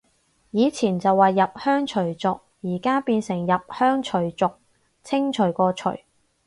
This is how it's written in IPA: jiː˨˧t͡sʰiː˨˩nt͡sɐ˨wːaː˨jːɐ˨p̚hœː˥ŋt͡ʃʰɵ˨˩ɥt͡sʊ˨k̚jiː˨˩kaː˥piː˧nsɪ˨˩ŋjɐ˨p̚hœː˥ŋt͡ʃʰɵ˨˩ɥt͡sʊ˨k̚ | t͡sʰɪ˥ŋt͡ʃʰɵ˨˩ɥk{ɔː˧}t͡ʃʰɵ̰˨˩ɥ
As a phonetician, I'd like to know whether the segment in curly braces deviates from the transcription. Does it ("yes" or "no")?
no